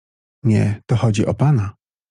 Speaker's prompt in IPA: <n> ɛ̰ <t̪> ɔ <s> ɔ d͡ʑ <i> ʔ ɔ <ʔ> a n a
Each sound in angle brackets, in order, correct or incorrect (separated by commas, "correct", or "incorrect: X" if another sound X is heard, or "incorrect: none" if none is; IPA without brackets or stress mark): incorrect: ɲ, correct, incorrect: x, correct, incorrect: p